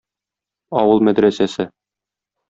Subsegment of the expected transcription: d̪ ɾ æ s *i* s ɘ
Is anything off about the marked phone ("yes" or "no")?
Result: yes